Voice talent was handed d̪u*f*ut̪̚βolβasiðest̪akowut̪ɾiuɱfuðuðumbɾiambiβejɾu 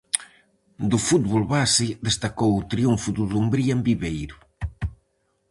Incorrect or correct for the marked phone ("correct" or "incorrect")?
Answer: correct